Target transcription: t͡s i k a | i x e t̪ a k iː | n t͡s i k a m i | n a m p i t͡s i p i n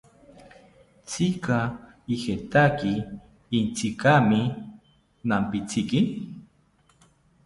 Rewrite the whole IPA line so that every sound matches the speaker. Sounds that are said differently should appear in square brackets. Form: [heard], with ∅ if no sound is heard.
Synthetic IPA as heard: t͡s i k a | i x e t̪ a k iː | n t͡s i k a m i | n a m p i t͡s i [k] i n